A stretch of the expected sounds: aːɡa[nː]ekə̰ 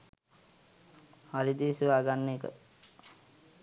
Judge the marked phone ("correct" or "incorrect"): correct